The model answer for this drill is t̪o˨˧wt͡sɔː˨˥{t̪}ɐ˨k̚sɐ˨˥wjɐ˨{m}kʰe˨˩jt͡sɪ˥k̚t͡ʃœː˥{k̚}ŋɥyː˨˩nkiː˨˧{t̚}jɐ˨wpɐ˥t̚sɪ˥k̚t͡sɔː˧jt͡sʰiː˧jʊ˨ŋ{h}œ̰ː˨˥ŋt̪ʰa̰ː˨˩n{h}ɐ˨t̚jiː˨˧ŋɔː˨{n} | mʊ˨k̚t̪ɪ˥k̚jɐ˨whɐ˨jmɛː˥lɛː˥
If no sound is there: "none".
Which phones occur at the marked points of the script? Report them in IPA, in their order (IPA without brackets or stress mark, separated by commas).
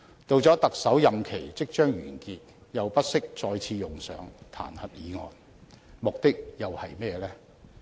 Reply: t̪, m, none, t̚, s, h, n